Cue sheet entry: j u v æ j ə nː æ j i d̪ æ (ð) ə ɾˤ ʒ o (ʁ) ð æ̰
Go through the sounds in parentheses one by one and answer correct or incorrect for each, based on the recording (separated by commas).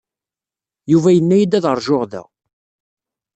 correct, correct